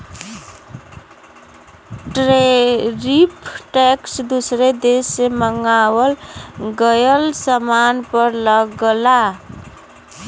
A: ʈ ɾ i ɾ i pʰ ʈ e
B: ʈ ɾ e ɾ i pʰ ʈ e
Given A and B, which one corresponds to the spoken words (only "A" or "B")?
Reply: B